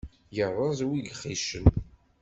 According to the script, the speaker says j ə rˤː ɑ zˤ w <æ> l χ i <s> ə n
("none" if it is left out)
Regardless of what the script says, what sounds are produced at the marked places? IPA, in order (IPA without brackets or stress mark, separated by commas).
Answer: i, ʃ